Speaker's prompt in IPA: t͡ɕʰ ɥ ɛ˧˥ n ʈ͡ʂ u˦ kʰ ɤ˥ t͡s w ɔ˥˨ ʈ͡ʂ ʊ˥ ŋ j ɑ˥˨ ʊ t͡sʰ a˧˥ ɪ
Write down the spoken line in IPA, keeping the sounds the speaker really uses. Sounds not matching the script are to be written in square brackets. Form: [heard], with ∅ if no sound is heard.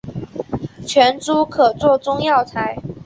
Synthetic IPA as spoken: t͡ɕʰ ɥ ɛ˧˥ n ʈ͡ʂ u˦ kʰ [ɤ˨˩] t͡s w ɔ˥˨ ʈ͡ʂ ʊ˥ ŋ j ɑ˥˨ ʊ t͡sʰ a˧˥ ɪ